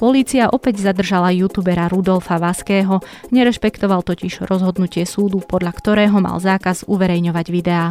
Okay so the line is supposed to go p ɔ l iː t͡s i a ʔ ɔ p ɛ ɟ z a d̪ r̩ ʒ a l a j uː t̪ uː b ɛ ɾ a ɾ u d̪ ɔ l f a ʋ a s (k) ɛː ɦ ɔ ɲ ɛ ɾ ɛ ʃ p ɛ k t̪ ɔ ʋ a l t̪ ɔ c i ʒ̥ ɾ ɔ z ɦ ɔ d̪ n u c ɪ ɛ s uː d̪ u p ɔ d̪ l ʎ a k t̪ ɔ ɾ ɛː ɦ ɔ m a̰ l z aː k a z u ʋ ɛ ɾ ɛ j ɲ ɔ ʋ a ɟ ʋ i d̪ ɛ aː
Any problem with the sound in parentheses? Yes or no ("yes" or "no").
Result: no